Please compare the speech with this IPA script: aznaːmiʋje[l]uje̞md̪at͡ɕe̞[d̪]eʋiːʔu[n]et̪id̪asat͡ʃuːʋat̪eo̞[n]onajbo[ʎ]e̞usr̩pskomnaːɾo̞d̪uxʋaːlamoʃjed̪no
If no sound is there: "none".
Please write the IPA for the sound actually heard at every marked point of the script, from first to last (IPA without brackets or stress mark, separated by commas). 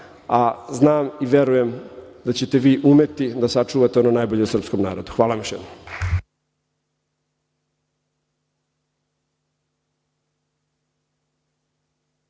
ɾ, t̪, m, n, ʎ